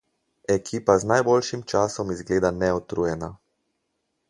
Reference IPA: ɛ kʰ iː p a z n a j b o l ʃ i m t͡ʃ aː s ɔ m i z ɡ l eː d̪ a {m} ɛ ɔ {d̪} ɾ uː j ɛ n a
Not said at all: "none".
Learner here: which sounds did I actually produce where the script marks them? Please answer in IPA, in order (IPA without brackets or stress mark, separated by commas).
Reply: n, t̪